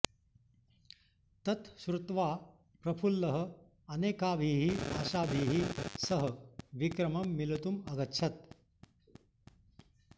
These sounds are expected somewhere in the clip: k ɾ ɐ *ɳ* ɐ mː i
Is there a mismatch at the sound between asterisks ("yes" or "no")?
yes